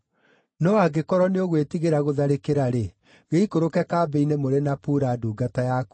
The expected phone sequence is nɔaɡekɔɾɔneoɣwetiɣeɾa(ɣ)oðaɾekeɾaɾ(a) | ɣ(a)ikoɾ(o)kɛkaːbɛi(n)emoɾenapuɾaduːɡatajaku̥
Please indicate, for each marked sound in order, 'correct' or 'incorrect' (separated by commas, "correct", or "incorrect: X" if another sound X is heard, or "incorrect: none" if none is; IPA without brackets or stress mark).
correct, incorrect: e, incorrect: e, correct, correct